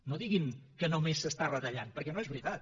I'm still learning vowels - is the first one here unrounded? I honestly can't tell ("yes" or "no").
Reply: no